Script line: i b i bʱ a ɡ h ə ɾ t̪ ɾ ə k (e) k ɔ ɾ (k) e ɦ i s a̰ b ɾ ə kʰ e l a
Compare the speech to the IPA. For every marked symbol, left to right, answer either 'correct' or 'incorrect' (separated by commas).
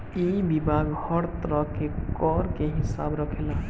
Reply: correct, correct